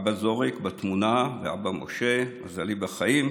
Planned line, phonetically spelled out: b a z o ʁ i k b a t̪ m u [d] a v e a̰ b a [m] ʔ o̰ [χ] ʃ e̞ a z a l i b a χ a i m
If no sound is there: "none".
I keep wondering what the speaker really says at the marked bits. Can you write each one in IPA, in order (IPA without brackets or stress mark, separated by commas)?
n, m, none